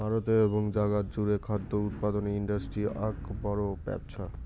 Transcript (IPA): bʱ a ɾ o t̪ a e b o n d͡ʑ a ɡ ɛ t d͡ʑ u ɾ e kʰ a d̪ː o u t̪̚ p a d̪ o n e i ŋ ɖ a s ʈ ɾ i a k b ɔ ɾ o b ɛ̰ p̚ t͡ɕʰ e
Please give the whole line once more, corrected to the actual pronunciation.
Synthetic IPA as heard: bʱ a ɾ o t̪ e e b o ŋ d͡ʑ a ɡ a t d͡ʑ u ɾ e kʰ a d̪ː o u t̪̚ p a d̪ o n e i ɳ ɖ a s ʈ ɾ i a k b ɔ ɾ o b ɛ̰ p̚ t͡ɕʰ a